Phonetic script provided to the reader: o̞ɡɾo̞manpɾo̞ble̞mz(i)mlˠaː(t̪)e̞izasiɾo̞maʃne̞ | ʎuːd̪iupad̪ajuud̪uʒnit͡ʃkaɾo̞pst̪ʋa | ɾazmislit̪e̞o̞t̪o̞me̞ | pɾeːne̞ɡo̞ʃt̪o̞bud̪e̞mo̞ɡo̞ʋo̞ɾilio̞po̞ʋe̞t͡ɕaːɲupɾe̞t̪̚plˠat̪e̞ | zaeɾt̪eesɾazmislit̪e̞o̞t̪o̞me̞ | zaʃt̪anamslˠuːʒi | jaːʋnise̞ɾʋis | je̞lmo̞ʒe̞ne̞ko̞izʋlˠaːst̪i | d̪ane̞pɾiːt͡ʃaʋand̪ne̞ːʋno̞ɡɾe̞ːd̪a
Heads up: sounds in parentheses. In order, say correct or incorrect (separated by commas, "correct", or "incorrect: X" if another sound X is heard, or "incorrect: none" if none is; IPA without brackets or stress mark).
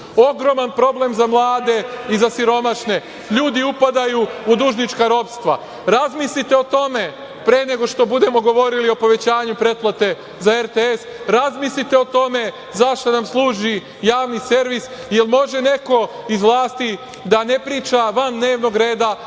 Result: incorrect: a, incorrect: d̪